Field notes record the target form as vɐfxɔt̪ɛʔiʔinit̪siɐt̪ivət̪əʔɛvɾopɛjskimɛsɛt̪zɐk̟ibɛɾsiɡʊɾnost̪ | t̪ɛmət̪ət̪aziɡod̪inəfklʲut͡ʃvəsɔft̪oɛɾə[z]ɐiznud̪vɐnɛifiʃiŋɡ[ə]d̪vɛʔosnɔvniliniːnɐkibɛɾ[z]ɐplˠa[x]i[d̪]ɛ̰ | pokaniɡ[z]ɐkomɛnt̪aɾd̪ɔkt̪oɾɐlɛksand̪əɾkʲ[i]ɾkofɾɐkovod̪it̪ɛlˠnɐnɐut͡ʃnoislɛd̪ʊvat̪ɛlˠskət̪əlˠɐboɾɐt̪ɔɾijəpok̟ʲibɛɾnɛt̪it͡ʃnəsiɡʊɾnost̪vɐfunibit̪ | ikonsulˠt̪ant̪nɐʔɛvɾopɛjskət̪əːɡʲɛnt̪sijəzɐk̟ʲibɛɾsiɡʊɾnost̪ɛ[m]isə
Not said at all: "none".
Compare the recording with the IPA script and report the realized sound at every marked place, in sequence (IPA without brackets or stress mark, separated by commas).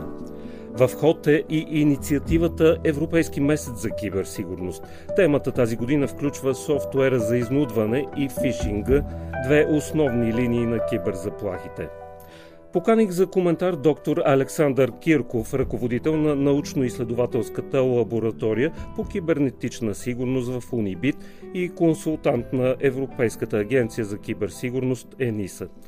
z, ə, z, x, t̪, z, i, n